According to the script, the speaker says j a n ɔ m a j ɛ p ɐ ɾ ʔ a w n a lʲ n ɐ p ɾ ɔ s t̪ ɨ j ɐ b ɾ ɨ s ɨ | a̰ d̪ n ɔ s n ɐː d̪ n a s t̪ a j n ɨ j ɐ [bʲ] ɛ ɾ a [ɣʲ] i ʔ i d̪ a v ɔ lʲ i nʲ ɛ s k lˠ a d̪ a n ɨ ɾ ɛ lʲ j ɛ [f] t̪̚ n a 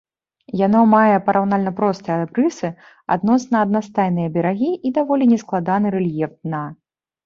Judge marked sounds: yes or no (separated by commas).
yes, yes, yes